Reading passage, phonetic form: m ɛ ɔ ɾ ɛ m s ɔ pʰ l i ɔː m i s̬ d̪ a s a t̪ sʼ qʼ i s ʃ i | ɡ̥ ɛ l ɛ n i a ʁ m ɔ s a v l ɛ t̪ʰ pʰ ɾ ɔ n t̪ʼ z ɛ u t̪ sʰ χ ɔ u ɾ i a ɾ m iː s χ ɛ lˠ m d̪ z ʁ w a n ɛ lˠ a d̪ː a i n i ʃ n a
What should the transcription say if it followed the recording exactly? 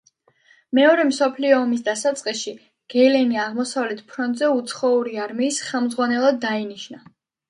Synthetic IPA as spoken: m ɛ ɔ ɾ ɛ m s ɔ pʰ l i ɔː m i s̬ d̪ a s a t̪ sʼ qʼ i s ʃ i | ɡ̥ ɛ l ɛ n i a ʁ m ɔ s a v l ɛ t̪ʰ pʰ ɾ ɔ n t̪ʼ z ɛ u t̪ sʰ χ ɔ u ɾ i a ɾ m iː s χ ɛ lˠ m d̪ z ʁ w a n ɛ lˠ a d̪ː a i n i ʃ n a